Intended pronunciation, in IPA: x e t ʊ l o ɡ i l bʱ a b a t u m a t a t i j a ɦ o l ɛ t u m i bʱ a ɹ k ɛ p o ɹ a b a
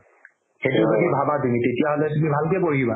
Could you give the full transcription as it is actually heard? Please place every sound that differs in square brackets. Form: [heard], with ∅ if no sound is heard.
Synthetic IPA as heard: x e t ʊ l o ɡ i [∅] bʱ a b a t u m [i] t [e] t i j a ɦ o l ɛ t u m i bʱ a [l] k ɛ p o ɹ [i] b a